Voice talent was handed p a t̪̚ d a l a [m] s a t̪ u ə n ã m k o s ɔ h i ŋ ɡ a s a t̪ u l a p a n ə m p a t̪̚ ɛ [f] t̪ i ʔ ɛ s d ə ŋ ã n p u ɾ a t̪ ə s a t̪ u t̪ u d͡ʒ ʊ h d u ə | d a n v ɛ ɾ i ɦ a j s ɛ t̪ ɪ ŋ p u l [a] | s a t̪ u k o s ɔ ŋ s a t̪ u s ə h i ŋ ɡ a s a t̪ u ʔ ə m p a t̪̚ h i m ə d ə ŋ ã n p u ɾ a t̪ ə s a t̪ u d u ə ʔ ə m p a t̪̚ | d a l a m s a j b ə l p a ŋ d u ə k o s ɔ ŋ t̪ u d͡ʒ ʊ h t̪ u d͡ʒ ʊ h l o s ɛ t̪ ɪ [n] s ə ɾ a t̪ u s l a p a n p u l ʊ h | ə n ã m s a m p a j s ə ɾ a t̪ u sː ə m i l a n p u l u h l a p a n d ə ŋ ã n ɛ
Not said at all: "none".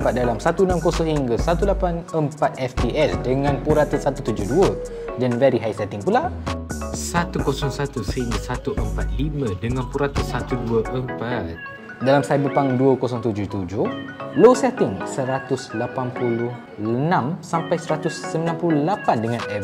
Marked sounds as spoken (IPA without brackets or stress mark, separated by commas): m, f, a, ŋ